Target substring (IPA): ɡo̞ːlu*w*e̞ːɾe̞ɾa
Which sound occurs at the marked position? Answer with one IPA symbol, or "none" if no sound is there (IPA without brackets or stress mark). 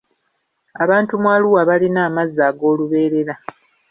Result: β